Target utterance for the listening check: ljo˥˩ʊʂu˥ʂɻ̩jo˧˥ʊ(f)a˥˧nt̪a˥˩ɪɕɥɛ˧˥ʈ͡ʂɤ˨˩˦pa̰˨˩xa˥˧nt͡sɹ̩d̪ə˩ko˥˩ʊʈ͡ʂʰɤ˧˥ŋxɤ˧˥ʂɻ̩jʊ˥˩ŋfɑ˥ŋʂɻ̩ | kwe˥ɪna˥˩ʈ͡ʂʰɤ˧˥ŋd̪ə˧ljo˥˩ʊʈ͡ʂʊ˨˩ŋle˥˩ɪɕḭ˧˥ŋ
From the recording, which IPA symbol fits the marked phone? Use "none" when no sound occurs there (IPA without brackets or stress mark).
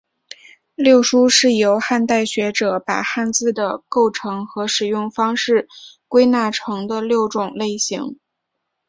x